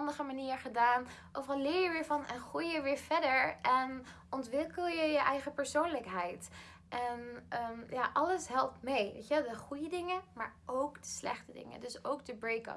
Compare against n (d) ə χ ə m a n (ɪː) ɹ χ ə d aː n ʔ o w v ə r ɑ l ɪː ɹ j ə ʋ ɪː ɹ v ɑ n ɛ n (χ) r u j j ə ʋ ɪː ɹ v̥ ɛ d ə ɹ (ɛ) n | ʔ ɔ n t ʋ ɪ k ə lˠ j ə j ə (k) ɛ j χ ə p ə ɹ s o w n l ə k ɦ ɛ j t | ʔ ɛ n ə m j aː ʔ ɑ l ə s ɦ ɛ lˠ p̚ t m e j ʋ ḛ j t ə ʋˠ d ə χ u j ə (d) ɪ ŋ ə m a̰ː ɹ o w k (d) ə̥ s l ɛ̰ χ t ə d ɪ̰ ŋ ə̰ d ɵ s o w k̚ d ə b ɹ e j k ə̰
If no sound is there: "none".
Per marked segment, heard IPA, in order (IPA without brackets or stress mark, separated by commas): d, iː, χ, ɛ, ʔ, d, d